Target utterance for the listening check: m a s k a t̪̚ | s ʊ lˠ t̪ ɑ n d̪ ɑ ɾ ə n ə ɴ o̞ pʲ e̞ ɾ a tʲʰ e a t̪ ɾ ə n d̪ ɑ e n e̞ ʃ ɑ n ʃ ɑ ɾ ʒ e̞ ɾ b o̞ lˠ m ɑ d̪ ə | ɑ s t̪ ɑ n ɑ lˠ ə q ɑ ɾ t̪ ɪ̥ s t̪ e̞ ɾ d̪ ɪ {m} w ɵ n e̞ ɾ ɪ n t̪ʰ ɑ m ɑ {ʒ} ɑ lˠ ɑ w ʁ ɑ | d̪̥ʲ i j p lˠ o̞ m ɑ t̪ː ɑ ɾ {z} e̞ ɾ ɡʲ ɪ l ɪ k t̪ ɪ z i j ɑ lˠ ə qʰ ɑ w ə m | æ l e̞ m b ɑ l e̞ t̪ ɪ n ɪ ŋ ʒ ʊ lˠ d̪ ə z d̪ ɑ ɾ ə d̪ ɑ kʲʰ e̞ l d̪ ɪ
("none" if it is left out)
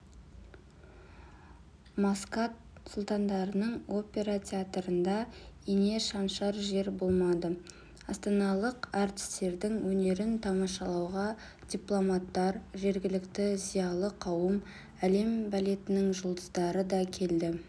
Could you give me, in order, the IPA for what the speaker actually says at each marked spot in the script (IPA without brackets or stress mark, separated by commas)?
ŋ, ʃ, ʒ